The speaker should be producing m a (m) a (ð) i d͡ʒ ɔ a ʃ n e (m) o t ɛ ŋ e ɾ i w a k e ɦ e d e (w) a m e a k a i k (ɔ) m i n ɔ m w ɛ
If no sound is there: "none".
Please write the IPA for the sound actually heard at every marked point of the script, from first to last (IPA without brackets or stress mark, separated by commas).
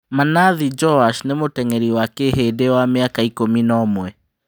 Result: n, ð, m, w, o